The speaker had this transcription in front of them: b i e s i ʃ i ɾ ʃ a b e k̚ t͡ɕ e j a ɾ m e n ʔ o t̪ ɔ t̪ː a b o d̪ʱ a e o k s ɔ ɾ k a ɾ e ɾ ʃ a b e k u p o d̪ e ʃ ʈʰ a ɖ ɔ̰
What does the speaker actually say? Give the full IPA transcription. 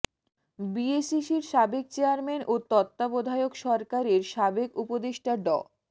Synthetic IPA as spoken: b i e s i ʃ i ɾ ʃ a b e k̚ t͡ɕ e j a ɾ m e n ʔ o t̪ ɔ t̪ː a b o d̪ʱ a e o k ʃ ɔ ɾ k a ɾ e ɾ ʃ a b e k u p o d̪ e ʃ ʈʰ a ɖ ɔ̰